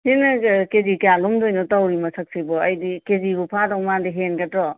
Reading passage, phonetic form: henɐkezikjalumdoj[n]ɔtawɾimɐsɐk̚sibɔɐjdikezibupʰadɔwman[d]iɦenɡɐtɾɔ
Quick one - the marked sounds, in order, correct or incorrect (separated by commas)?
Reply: correct, correct